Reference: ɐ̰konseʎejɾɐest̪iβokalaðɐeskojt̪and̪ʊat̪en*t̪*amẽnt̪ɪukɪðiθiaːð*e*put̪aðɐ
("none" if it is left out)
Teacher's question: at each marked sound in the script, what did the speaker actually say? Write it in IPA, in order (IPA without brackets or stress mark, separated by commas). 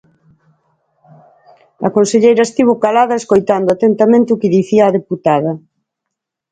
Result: t̪, e